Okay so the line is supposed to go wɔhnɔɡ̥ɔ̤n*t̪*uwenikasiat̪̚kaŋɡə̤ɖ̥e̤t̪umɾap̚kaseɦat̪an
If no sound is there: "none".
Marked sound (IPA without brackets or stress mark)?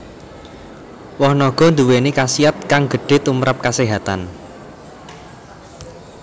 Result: d̪